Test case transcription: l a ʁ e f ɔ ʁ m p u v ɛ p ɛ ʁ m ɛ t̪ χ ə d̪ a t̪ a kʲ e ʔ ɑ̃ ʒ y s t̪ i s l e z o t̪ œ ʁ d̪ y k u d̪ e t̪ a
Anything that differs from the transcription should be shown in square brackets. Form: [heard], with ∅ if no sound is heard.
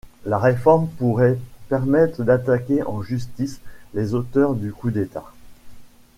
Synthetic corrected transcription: l a ʁ e f ɔ ʁ m p u [ʁ] ɛ p ɛ ʁ m ɛ t̪ χ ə d̪ a t̪ a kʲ e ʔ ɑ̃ ʒ y s t̪ i s l e z o t̪ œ ʁ d̪ y k u d̪ e t̪ a